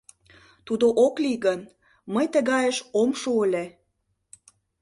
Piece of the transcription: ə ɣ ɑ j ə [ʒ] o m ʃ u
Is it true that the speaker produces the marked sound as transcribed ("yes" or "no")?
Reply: no